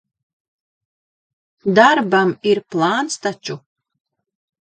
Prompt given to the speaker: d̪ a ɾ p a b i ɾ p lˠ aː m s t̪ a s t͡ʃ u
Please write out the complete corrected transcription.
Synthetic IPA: d̪ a ɾ b a m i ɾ p lˠ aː n s t̪ a t͡ʃ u